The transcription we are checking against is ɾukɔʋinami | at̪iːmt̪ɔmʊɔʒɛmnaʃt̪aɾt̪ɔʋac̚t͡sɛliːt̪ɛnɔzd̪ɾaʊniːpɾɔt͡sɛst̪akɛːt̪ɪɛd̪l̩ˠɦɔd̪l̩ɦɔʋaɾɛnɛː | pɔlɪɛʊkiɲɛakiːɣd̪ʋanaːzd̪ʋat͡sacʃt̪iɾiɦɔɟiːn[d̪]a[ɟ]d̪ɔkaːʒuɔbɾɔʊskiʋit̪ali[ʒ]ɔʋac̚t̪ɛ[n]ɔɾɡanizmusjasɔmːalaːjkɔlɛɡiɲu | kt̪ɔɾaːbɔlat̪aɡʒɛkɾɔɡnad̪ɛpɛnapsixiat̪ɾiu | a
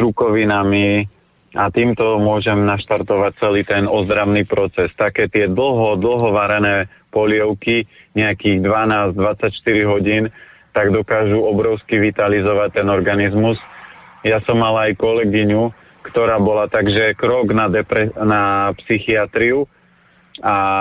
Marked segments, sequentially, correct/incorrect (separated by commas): incorrect, incorrect, incorrect, correct